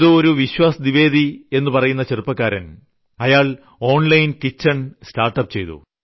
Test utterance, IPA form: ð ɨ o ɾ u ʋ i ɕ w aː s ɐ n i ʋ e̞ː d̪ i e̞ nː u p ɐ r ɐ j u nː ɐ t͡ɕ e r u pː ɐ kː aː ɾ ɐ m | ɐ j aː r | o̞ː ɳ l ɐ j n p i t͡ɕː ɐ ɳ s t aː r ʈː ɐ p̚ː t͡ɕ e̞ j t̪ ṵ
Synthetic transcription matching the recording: ð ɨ o ɾ u ʋ i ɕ w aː s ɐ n i ʋ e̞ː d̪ i e̞ nː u p ɐ r ɐ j u nː ɐ t͡ɕ e r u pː ɐ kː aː ɾ ɐ n | ɐ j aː ɭ | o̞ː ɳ l ɐ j n k i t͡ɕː ɐ ɳ s t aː r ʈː ɐ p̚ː t͡ɕ e̞ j t̪ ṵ